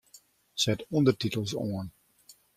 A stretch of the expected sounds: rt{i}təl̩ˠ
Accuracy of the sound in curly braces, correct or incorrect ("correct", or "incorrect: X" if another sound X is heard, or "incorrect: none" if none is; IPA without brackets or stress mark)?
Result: correct